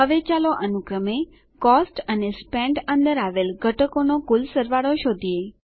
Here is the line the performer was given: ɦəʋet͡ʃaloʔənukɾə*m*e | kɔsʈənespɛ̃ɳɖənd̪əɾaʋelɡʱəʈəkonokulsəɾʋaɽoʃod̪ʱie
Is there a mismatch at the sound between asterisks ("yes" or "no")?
no